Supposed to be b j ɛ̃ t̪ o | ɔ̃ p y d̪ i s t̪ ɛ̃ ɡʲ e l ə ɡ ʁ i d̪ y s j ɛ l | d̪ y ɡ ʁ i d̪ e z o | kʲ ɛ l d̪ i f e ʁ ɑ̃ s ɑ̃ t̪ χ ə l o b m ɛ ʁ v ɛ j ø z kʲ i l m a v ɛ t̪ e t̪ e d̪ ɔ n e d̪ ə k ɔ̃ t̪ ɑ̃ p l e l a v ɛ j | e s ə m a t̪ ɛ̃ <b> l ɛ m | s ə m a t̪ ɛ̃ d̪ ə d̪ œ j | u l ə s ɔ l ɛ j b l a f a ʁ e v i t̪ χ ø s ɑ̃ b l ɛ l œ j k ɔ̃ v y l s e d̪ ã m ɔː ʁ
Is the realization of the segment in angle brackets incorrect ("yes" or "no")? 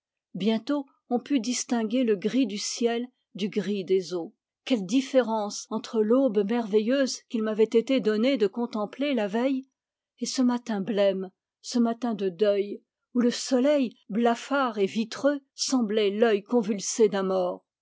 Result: no